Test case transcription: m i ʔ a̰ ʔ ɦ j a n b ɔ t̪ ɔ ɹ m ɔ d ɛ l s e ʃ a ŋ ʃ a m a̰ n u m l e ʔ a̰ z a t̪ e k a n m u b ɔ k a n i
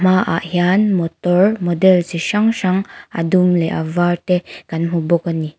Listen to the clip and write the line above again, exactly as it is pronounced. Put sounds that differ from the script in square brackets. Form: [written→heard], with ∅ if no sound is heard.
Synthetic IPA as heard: m [i→a] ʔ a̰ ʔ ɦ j a n [b→m] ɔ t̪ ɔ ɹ m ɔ d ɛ l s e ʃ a ŋ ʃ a [m→ŋ] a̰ [n→d] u m l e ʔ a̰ [z→v] a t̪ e k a n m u b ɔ k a n i